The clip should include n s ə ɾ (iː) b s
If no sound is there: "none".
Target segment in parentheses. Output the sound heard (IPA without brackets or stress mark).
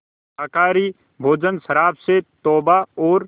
aː